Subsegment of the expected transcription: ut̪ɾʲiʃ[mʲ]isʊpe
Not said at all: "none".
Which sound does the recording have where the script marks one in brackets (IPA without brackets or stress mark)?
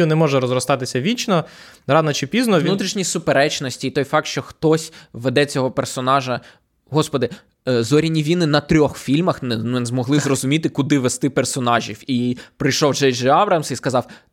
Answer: nʲ